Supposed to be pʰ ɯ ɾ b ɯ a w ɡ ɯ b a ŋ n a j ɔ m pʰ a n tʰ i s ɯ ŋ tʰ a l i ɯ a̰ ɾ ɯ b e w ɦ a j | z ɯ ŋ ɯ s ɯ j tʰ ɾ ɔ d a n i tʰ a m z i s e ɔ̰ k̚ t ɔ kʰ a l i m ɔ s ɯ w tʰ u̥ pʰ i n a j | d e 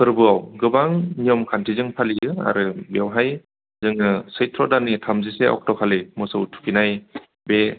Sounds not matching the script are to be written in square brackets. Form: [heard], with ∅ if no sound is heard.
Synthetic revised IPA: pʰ ɯ ɾ b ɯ a w ɡ ɯ b a ŋ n [i] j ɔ m [kʰ] a n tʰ i [z] ɯ ŋ [pʰ] a l i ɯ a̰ ɾ ɯ b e w ɦ a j | z ɯ ŋ ɯ s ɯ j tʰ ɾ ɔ d a n i tʰ a m z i s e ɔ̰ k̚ t ɔ kʰ a l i m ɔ s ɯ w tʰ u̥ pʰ i n a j | [b] e